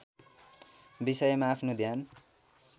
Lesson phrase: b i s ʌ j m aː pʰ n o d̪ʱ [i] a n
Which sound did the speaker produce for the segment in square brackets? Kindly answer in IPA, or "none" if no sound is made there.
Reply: j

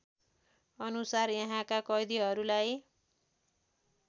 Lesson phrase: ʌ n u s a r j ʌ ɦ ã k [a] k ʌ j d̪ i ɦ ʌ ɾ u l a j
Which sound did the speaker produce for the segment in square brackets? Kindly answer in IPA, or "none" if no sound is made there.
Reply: a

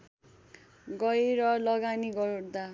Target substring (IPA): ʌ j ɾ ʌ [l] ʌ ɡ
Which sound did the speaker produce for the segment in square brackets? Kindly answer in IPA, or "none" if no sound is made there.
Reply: l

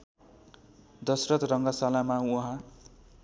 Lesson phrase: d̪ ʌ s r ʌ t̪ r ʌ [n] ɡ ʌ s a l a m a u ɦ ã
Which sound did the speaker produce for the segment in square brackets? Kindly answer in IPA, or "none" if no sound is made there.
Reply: ŋ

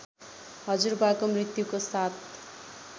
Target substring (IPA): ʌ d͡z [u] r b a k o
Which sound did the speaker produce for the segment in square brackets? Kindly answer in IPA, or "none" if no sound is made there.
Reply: u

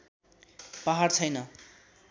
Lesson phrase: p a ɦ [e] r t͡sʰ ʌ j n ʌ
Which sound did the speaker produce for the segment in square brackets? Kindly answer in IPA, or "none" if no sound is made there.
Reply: a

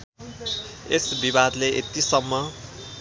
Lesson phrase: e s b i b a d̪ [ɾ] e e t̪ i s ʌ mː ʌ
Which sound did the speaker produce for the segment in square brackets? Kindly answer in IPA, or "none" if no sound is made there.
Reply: l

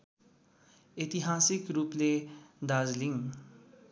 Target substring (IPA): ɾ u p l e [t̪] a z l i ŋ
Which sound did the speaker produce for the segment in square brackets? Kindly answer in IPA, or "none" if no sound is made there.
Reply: d̪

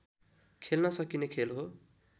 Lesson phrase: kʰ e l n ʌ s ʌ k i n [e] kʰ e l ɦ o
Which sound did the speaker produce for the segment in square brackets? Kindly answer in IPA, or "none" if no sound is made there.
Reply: e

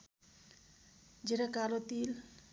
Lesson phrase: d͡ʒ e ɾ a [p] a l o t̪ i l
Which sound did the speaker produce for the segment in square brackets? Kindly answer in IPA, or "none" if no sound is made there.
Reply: k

